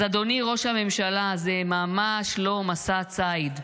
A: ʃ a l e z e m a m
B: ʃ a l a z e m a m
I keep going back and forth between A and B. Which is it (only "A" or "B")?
B